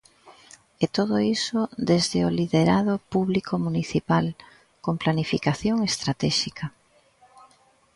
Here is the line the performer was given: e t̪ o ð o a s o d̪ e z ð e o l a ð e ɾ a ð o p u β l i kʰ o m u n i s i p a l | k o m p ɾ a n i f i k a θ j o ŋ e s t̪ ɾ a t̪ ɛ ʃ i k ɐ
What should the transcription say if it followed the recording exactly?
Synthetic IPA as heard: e t̪ o ð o i s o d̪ e z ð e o l i ð e ɾ a ð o p u β l i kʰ o m u n i θ i p a l | k o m p l a n i f i k a θ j o ŋ e s t̪ ɾ a t̪ ɛ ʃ i k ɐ